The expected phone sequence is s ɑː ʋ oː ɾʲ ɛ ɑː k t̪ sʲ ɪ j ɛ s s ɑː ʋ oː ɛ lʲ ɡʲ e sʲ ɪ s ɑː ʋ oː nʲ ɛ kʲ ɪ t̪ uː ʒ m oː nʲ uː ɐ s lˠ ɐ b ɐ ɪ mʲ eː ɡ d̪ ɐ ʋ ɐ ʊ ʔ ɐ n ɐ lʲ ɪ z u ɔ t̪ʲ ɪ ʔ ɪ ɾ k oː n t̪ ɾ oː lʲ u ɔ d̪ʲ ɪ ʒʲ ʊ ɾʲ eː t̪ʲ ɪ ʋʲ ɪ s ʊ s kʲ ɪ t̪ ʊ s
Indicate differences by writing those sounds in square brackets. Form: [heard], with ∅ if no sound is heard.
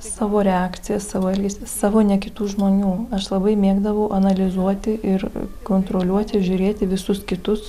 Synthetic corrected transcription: s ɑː ʋ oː ɾʲ ɛ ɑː k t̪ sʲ ɪ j ɛ s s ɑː ʋ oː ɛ lʲ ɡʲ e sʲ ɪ s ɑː ʋ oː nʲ ɛ kʲ ɪ t̪ uː ʒ m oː nʲ uː ɐ [ʃ] lˠ ɐ b ɐ ɪ mʲ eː ɡ d̪ ɐ ʋ ɐ ʊ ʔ ɐ n ɐ lʲ ɪ z u ɔ t̪ʲ ɪ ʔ ɪ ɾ k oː n t̪ ɾ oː lʲ u ɔ [t̪ʲ] ɪ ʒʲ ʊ ɾʲ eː t̪ʲ ɪ ʋʲ ɪ s ʊ s kʲ ɪ t̪ ʊ s